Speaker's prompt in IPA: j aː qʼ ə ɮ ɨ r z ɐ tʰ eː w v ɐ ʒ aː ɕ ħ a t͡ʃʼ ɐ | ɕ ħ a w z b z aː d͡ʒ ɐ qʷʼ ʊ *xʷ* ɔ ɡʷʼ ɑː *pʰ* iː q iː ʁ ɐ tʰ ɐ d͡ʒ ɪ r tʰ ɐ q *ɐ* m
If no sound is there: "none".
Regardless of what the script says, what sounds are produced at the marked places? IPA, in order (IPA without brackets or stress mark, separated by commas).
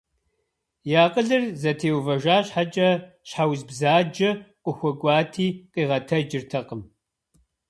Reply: xʷ, tʰ, ə